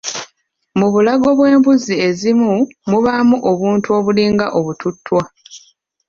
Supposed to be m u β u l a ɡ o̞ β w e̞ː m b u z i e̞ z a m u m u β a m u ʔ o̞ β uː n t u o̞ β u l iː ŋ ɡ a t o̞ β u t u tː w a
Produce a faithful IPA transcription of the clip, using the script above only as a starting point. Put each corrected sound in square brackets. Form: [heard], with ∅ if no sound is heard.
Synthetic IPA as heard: m u β u l a ɡ o̞ β w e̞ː m b u z i e̞ z [i] m u m u β a m u ʔ o̞ β uː n t u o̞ β u l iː ŋ ɡ a [ʔ] o̞ β u t u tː w a